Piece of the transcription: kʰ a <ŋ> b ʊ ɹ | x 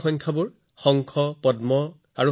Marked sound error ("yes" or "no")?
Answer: yes